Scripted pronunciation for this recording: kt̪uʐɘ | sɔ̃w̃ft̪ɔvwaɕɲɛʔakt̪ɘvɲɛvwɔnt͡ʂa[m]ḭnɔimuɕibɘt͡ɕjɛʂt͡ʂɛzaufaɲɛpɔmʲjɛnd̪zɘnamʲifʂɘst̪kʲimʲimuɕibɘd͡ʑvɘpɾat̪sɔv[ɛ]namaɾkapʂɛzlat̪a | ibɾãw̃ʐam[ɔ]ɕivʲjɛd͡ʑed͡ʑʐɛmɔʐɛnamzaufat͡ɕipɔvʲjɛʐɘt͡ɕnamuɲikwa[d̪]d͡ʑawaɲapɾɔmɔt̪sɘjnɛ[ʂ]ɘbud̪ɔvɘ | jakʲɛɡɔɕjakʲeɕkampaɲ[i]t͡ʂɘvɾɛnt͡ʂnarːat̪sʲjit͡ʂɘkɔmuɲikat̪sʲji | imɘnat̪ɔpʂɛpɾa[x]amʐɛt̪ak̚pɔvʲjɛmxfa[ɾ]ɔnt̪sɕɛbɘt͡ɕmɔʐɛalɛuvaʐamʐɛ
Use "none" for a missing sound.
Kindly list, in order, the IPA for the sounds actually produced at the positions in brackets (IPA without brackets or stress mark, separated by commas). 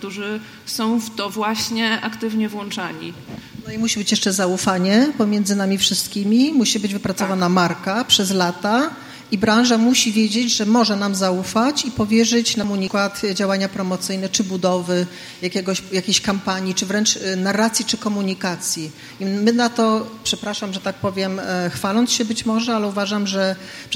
ɲ, a, u, t̪, t͡ʂ, i, ʂ, l